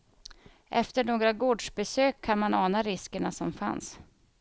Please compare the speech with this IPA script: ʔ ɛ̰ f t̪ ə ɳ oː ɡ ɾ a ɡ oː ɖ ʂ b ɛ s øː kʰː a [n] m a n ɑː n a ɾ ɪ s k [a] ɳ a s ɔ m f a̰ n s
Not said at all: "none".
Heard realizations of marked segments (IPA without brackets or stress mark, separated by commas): n, ə